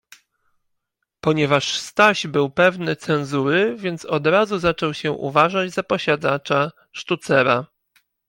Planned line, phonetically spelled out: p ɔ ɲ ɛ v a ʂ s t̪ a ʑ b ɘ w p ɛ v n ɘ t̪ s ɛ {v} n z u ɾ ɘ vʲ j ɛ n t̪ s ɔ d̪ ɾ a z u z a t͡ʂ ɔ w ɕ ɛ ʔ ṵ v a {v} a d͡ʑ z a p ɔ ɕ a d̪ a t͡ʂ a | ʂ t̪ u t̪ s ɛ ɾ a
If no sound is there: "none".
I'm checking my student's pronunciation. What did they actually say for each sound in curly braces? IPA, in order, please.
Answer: none, ʐ

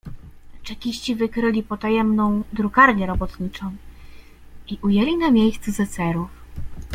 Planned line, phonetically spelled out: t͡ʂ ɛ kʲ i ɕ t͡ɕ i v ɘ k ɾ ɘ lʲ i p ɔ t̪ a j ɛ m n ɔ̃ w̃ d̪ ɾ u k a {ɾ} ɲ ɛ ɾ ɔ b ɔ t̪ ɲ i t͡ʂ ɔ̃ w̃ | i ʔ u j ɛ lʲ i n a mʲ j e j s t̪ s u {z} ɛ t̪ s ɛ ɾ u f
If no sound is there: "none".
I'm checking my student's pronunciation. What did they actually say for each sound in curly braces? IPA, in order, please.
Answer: ɾ, z

